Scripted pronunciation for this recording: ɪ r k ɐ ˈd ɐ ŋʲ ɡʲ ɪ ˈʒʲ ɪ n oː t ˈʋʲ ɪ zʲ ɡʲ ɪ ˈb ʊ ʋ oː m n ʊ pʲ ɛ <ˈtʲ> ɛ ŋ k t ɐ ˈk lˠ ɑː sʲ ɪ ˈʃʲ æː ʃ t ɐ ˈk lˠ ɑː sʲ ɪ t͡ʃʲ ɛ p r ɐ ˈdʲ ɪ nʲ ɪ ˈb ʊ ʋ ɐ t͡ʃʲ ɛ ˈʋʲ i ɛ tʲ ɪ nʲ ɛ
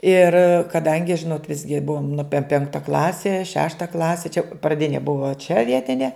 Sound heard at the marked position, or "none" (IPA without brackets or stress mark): pʲ